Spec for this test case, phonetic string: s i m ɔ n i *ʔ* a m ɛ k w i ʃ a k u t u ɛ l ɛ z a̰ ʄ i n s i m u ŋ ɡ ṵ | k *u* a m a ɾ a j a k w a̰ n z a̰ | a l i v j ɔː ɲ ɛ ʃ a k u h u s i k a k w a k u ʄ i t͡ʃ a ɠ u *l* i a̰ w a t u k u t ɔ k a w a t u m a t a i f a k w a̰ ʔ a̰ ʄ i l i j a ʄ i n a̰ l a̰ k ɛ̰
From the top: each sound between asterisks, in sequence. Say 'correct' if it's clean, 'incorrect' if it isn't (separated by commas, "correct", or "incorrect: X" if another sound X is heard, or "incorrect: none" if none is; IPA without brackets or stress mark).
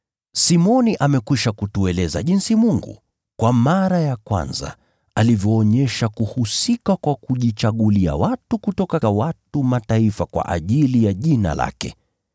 correct, incorrect: w, correct